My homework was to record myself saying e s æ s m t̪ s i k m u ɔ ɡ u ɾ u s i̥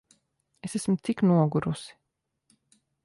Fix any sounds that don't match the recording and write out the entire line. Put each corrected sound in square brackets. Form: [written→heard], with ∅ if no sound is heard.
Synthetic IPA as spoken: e s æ s m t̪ s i k [m→n] u ɔ ɡ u ɾ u s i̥

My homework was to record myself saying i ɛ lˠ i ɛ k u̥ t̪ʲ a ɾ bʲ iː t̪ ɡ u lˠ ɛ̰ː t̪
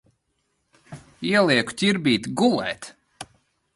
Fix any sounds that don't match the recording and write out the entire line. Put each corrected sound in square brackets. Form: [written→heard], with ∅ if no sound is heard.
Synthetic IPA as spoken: i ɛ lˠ i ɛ k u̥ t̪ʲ [a→i] ɾ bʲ iː t̪ ɡ u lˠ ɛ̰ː t̪

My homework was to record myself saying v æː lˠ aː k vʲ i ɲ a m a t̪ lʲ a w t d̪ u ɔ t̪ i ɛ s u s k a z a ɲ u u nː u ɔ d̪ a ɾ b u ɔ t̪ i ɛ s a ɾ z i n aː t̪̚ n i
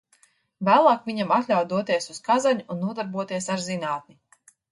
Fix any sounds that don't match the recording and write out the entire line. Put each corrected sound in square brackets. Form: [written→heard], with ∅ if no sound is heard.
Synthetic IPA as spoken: v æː lˠ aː k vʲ i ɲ a m a t̪ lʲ a w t d̪ u ɔ t̪ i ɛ s u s k a z a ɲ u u nː u ɔ d̪ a ɾ b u ɔ t̪ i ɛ s a ɾ z i n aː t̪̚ n i

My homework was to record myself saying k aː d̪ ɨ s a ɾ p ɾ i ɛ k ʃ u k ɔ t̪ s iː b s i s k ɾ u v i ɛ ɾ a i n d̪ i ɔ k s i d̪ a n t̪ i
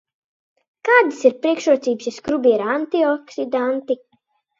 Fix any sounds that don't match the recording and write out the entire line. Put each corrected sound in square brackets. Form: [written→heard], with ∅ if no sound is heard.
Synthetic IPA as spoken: k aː d̪ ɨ s [a→i] ɾ p ɾ i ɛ k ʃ u [k→∅] ɔ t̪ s iː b s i s k ɾ u [v→b] i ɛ ɾ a [i→a] n [d̪→t̪] i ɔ k s i d̪ a n t̪ i

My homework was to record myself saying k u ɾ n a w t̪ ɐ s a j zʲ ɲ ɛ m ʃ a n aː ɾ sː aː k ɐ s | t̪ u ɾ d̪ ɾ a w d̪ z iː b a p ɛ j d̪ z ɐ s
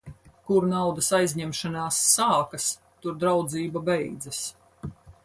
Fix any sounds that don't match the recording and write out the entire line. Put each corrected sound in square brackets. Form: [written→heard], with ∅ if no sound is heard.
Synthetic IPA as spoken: k u ɾ n a w [t̪→d̪] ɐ s a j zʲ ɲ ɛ m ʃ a n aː [ɾ→∅] sː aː k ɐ s | t̪ u ɾ d̪ ɾ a w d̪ z iː b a [p→b] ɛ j d̪ z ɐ s

